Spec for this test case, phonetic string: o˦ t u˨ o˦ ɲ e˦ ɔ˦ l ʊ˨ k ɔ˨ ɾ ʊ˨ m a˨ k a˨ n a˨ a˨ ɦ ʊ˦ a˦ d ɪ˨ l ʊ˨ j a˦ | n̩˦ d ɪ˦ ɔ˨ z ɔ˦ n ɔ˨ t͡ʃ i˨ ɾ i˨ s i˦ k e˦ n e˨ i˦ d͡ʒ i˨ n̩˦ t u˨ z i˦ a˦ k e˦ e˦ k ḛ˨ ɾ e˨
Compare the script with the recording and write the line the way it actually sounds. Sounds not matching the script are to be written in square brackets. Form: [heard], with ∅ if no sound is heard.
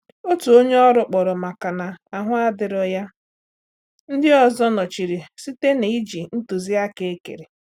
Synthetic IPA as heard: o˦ t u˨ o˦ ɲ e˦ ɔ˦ [ɾ] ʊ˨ [k͡p] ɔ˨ ɾ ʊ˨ m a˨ k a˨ n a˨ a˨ ɦ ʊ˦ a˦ d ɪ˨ [ɾ] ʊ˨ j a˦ | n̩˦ d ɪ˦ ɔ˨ z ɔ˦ n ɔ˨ t͡ʃ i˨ ɾ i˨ s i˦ [t] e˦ n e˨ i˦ d͡ʒ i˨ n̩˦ t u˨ z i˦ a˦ k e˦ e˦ k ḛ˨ ɾ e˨